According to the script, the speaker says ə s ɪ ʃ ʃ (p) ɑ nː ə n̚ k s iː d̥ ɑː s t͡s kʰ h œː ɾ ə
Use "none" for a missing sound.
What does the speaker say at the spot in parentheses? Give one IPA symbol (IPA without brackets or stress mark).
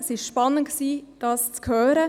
p